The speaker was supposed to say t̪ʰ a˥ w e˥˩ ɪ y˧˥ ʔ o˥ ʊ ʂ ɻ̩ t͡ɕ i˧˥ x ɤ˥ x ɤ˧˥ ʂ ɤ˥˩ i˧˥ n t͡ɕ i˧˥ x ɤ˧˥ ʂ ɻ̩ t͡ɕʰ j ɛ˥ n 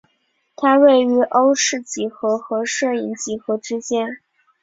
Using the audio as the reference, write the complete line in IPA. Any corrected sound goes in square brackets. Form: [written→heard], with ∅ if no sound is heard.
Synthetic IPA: t̪ʰ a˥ w e˥˩ ɪ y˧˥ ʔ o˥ ʊ ʂ ɻ̩ t͡ɕ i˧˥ x [ɤ˥→ɤ˧˥] x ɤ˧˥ ʂ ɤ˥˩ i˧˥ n t͡ɕ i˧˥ x ɤ˧˥ [ʂ→ʈ͡ʂ] ɻ̩ [t͡ɕʰ→t͡ɕ] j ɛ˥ n

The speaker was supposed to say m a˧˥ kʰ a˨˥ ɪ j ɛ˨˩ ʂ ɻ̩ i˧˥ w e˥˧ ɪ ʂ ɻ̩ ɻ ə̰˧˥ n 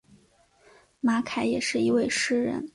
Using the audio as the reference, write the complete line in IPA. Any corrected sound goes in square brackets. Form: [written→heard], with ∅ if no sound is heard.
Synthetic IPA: m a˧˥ kʰ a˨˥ ɪ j ɛ˨˩ ʂ ɻ̩ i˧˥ w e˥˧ ɪ ʂ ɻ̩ ɻ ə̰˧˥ n

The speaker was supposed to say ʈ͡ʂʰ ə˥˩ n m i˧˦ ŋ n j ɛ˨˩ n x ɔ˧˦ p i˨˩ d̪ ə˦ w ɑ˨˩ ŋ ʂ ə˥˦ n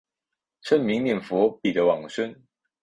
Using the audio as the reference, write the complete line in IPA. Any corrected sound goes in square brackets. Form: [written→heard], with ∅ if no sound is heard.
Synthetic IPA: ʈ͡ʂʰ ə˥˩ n m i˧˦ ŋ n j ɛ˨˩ n [x→f] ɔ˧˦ p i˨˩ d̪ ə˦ w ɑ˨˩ ŋ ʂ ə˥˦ n

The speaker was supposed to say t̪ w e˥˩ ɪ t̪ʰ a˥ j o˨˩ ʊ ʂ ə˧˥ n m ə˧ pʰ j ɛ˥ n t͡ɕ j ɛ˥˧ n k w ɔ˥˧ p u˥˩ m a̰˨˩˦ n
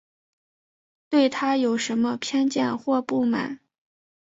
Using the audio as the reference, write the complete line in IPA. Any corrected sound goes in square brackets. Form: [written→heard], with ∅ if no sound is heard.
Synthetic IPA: t̪ w e˥˩ ɪ t̪ʰ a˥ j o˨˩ ʊ ʂ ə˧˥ n m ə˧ pʰ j ɛ˥ n t͡ɕ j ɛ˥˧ n [k→x] w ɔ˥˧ p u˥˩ m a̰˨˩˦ n

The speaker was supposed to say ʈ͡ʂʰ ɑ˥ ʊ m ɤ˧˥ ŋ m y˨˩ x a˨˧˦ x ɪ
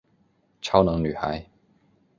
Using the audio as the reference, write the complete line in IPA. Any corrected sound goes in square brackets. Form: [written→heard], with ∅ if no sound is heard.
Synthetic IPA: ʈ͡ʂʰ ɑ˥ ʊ [m→n] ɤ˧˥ ŋ [m→n] y˨˩ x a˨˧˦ [x→∅] ɪ

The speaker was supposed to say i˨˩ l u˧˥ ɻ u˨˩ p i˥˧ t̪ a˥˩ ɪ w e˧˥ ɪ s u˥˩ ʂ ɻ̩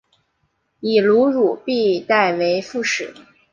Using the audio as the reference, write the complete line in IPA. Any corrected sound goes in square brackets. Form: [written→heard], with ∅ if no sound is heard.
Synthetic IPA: i˨˩ l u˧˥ ɻ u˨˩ p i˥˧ t̪ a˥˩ ɪ w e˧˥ ɪ [s→f] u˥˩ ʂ ɻ̩

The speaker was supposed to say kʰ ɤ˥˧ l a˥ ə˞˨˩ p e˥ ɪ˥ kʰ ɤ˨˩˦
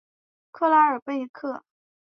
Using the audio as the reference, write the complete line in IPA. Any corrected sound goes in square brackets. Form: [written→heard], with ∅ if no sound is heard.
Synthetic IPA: kʰ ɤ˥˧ l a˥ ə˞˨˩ p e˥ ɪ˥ kʰ [ɤ˨˩˦→ɤ˥˩]

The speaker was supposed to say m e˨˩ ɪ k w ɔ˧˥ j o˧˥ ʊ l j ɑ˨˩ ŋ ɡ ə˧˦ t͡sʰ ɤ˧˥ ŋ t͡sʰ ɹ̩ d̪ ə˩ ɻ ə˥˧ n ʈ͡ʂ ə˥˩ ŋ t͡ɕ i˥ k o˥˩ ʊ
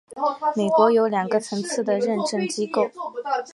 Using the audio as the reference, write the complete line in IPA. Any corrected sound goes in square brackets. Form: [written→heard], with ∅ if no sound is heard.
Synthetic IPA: m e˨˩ ɪ k w ɔ˧˥ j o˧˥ ʊ l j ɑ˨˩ ŋ ɡ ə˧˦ t͡sʰ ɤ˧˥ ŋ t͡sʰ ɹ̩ d̪ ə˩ ɻ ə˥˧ n ʈ͡ʂ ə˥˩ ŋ t͡ɕ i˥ k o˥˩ ʊ

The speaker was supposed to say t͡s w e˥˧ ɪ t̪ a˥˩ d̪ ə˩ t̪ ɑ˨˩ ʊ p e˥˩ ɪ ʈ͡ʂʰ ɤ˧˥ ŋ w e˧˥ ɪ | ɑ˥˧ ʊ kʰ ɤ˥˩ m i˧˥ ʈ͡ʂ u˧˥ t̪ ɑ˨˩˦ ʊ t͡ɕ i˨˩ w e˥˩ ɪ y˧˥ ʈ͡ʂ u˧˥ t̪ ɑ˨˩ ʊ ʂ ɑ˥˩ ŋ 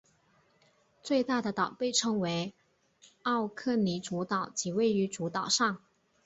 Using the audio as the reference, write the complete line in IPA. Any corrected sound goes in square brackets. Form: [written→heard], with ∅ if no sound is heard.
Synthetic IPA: t͡s w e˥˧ ɪ t̪ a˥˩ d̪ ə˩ t̪ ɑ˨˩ ʊ p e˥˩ ɪ ʈ͡ʂʰ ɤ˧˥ ŋ w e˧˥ ɪ | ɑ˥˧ ʊ kʰ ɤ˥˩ [m→n] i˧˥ ʈ͡ʂ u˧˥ t̪ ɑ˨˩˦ ʊ t͡ɕ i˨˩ w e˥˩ ɪ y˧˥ ʈ͡ʂ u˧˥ t̪ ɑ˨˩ ʊ ʂ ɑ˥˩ ŋ

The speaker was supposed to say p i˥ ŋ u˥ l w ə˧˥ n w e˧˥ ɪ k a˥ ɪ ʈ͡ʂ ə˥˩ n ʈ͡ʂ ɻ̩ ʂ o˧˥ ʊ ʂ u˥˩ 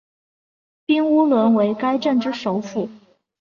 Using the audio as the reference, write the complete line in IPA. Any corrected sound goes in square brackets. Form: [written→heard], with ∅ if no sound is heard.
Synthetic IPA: p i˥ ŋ u˥ l w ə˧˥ n w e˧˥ ɪ k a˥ ɪ ʈ͡ʂ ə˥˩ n ʈ͡ʂ ɻ̩ ʂ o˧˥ ʊ [ʂ→f] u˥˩

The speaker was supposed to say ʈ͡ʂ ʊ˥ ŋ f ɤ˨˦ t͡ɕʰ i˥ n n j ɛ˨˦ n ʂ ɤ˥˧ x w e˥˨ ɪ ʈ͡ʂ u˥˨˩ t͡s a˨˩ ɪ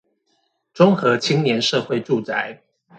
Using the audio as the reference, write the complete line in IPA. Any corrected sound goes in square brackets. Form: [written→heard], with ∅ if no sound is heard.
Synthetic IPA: ʈ͡ʂ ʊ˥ ŋ [f→x] ɤ˨˦ t͡ɕʰ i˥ [n→ŋ] n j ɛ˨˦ n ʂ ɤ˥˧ x w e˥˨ ɪ ʈ͡ʂ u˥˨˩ t͡s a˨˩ ɪ

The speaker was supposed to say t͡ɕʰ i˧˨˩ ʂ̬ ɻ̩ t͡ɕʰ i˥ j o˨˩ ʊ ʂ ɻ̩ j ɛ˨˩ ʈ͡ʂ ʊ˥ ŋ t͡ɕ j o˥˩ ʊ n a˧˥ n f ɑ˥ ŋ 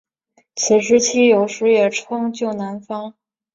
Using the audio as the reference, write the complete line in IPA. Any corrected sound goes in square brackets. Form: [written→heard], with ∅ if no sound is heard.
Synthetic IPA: t͡ɕʰ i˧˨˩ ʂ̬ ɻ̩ t͡ɕʰ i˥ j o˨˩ ʊ ʂ ɻ̩ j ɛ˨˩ [ʈ͡ʂ→ʈ͡ʂʰ] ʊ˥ ŋ t͡ɕ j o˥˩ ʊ n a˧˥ n f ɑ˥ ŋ

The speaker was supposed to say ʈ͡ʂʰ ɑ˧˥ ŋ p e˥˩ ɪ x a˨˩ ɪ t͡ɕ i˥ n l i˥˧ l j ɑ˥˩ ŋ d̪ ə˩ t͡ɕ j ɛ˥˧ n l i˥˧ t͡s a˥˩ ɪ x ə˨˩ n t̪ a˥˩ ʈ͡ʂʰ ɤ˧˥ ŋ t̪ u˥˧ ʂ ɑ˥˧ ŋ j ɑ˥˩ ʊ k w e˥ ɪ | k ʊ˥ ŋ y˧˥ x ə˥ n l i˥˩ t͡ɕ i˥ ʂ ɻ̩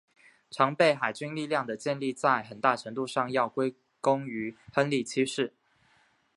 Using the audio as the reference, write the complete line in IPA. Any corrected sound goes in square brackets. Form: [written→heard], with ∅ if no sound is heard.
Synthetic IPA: ʈ͡ʂʰ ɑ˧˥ ŋ p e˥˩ ɪ x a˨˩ ɪ t͡ɕ [i˥→y˥] n l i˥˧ l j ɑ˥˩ ŋ d̪ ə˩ t͡ɕ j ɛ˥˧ n l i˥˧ t͡s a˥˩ ɪ x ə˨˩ n t̪ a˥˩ ʈ͡ʂʰ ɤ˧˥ ŋ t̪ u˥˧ ʂ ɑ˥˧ ŋ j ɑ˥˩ ʊ k w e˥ ɪ | k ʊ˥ ŋ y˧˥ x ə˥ n l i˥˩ [t͡ɕ→t͡ɕʰ] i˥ ʂ ɻ̩

